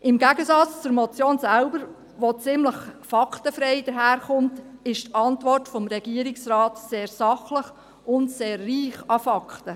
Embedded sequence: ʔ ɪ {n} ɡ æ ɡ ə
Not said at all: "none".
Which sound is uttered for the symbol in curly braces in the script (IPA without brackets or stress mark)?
m